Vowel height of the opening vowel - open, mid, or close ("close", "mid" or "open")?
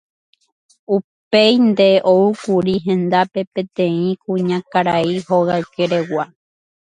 close